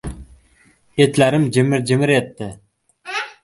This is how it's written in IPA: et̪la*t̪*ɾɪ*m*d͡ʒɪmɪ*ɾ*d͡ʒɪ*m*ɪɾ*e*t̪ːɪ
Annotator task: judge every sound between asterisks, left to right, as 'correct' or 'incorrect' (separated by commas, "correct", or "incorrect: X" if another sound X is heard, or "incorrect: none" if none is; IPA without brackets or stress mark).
incorrect: none, correct, correct, correct, correct